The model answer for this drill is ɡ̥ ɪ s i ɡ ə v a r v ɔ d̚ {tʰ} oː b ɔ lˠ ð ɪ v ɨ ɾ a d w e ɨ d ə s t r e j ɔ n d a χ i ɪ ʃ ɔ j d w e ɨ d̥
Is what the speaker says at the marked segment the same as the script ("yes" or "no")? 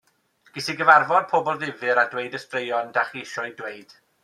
no